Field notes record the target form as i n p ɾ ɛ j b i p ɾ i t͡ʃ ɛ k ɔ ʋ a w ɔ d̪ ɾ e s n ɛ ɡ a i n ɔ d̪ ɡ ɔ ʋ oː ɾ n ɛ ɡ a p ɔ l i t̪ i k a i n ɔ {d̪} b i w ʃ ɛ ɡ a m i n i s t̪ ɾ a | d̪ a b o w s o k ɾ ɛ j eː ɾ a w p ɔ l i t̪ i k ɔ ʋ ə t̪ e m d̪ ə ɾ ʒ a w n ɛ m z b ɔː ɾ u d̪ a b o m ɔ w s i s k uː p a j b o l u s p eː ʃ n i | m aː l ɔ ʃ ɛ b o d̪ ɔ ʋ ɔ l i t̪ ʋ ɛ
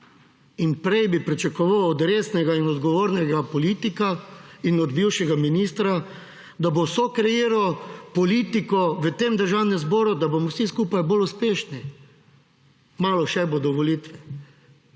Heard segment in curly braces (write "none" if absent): d̪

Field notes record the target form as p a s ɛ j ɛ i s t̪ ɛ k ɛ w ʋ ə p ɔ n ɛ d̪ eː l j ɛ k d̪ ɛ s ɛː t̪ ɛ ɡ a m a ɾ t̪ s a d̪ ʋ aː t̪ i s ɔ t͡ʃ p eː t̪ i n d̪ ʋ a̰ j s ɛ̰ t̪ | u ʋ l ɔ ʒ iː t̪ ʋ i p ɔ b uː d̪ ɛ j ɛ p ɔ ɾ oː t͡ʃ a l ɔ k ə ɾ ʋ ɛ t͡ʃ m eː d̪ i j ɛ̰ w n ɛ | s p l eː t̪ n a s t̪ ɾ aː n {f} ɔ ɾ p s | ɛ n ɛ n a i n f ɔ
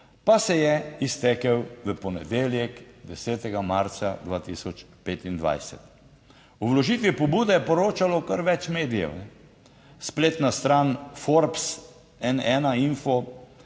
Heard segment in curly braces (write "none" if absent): f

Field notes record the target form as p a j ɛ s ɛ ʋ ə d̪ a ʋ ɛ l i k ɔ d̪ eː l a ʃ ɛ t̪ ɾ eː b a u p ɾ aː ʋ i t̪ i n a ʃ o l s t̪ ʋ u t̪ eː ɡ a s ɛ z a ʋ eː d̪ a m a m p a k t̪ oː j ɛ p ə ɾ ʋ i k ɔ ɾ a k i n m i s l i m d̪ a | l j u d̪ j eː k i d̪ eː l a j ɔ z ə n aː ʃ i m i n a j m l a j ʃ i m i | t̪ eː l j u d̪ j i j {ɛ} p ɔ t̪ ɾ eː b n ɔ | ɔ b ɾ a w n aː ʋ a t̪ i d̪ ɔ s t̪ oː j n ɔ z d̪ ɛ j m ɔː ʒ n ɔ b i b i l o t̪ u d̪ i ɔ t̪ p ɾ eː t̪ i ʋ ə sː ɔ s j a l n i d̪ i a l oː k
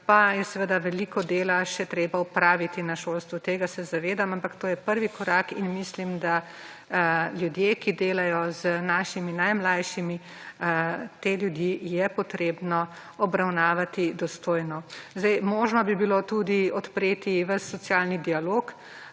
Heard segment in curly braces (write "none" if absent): ɛ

